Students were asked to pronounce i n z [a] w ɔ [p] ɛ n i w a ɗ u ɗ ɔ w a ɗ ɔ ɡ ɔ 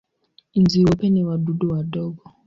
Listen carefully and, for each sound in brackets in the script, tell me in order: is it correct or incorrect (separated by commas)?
incorrect, correct